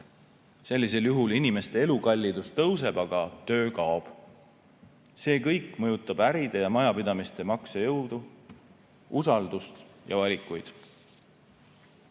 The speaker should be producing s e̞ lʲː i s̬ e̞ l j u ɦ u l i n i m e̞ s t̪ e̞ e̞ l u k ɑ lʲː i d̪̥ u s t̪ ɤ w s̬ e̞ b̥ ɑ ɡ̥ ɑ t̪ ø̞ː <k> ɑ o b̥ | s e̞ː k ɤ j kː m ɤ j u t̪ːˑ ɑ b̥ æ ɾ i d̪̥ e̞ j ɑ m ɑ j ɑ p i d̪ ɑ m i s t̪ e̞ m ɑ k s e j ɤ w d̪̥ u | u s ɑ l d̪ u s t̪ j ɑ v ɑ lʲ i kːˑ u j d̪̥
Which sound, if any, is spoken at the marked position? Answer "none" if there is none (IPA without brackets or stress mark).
k